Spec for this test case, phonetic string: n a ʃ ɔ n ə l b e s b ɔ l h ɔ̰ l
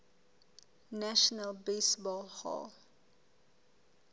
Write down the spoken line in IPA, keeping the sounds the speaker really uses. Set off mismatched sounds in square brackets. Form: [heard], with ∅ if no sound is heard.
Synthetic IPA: n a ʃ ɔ n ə l b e s b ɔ l h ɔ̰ l